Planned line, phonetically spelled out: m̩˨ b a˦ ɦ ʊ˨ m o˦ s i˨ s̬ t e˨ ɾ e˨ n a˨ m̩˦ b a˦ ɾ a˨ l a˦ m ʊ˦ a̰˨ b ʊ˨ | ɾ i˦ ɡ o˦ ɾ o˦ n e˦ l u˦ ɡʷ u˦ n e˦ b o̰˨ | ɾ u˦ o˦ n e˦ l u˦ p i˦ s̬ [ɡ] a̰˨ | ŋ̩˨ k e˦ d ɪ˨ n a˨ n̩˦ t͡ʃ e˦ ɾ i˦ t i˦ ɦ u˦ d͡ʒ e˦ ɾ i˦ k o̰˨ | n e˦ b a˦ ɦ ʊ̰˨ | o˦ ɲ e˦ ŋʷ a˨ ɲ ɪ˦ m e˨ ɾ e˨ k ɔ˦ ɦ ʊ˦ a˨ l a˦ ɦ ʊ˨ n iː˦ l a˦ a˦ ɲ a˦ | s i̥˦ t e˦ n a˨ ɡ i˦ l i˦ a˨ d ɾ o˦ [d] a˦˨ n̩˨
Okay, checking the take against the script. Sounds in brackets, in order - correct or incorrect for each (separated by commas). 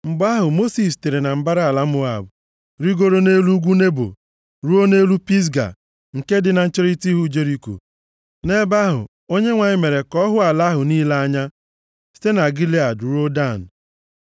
correct, correct